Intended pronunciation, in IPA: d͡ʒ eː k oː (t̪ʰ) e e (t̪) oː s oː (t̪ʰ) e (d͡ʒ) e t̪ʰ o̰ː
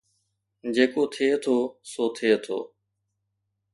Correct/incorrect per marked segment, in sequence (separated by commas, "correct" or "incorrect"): correct, incorrect, correct, incorrect